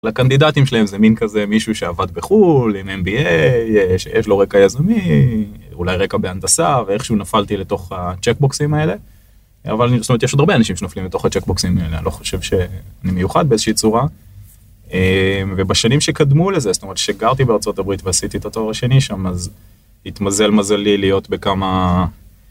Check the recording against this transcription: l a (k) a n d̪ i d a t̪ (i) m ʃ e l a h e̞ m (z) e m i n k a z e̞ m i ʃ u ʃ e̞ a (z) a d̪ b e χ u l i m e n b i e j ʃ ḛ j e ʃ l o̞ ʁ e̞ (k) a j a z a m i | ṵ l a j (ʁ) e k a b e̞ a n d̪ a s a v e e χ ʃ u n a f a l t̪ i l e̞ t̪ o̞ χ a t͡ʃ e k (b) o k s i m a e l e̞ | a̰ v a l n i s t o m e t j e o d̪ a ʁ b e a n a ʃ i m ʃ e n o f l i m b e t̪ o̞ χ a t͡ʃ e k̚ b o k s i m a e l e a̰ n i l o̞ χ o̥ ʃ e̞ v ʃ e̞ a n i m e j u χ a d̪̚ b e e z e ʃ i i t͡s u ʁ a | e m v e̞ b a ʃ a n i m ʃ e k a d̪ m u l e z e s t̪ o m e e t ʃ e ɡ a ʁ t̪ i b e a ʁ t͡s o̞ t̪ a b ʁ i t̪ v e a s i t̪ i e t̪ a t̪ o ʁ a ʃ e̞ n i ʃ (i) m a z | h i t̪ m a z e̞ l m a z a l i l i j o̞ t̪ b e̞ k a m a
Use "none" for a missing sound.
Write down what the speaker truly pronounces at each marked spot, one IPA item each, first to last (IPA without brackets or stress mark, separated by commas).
k, i, z, v, k, ʁ, b, a